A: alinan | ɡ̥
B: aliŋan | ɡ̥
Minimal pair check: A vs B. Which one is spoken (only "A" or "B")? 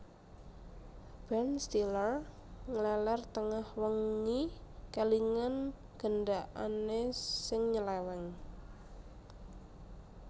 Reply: B